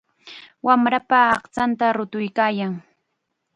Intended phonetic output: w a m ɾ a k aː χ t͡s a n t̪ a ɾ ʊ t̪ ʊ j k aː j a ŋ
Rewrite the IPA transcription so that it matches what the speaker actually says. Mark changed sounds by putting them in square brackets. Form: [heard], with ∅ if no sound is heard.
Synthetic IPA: w a m ɾ a [p] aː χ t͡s a n t̪ a ɾ ʊ t̪ ʊ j k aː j a ŋ